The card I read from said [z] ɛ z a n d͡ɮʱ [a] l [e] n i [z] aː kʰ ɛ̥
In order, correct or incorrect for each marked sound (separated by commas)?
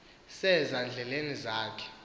incorrect, incorrect, correct, correct